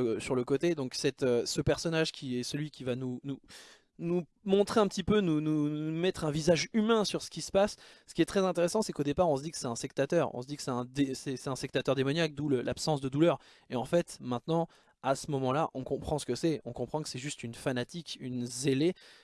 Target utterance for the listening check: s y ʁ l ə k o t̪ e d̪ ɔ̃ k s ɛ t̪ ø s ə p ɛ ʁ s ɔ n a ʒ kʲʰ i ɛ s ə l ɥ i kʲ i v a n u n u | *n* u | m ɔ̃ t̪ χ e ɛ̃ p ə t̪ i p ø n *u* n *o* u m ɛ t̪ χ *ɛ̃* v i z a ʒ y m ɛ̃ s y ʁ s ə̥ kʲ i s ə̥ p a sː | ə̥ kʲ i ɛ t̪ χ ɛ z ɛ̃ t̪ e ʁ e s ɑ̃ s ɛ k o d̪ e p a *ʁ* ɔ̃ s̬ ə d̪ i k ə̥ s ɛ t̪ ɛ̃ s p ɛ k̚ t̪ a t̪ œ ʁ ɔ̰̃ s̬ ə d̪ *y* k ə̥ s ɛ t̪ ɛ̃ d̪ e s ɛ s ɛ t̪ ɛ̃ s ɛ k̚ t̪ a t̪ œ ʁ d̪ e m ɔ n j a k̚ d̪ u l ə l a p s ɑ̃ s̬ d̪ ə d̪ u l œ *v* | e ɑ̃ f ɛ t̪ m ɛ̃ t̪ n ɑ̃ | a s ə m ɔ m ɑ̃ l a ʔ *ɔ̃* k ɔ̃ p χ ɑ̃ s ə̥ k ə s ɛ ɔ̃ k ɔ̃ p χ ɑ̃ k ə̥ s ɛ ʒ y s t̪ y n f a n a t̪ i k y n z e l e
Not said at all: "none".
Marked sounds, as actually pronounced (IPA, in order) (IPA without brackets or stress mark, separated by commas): n, u, u, ɛ̃, ʁ, i, ʁ, ɔ̃